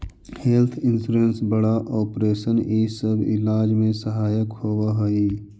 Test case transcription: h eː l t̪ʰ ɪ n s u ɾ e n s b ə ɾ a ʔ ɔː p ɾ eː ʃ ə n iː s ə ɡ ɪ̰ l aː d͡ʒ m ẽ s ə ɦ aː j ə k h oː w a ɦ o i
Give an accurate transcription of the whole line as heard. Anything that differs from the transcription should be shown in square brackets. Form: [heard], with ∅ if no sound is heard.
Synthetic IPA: h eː l t̪ʰ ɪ n s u ɾ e n s b ə [ɽ] a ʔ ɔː p ɾ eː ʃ ə n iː s ə [b] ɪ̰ l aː d͡ʒ m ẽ s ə ɦ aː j ə k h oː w a ɦ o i